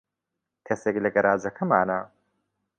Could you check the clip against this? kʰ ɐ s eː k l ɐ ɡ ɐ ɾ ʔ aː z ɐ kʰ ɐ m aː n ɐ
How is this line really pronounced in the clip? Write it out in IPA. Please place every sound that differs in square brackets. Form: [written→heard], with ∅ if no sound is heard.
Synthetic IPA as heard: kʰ ɐ s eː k l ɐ ɡ ɐ ɾ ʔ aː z ɐ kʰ ɐ m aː n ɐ